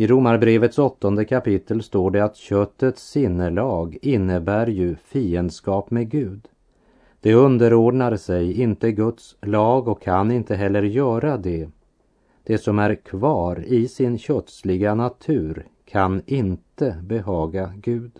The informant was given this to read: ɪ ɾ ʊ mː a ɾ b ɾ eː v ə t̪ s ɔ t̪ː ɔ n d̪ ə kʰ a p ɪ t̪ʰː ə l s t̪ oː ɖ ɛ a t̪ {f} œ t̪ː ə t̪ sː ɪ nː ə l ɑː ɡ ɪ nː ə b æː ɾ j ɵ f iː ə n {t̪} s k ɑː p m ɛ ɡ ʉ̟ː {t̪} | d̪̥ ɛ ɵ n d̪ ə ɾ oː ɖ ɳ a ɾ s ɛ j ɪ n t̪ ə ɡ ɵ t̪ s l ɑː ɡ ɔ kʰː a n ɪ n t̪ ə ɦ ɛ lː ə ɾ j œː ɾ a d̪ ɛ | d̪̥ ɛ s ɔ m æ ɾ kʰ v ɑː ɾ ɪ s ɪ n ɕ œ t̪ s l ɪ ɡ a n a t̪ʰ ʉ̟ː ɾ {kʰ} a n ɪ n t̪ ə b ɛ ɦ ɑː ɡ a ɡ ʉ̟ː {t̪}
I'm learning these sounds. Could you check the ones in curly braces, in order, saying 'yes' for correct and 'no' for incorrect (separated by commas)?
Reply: no, no, no, yes, no